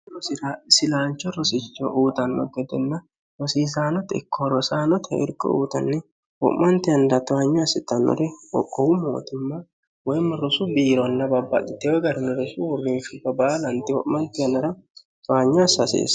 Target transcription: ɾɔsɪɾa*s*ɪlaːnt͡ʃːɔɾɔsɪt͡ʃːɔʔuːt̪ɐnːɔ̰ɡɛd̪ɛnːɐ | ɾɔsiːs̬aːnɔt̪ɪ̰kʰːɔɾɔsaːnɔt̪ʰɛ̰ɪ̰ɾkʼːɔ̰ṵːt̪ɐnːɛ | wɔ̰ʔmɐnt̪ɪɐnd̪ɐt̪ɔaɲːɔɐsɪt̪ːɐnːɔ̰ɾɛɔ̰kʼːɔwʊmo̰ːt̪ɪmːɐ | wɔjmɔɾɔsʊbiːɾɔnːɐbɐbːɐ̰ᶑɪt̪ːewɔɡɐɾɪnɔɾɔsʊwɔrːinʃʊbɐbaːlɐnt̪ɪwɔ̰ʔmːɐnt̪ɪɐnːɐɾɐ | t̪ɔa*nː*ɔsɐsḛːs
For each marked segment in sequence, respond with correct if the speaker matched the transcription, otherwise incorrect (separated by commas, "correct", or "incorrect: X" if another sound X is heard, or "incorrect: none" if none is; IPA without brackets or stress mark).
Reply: correct, incorrect: ɲː